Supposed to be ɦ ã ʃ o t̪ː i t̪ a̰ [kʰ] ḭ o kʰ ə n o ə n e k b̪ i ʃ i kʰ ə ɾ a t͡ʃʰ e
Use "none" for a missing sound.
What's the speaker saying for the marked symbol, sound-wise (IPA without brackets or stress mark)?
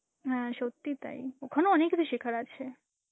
none